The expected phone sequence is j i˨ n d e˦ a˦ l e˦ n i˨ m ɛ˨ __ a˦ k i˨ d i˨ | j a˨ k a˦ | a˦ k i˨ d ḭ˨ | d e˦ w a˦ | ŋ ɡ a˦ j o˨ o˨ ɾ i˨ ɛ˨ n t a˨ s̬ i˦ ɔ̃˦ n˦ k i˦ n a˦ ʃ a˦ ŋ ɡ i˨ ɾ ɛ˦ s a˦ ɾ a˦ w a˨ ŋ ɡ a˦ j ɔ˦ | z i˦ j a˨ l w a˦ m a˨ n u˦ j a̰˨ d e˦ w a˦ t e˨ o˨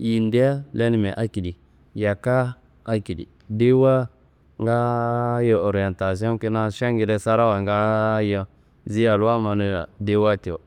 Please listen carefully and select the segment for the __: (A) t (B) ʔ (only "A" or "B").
B